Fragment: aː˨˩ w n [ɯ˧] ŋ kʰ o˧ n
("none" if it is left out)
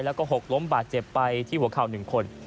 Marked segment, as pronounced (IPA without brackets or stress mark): ɯ˨˩